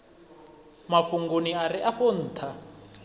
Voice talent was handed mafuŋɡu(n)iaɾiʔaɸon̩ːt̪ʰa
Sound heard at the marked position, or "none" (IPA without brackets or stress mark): n